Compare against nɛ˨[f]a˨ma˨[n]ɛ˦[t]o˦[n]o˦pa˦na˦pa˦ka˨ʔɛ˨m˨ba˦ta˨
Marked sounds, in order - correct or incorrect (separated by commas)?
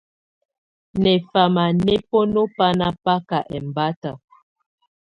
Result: correct, correct, incorrect, correct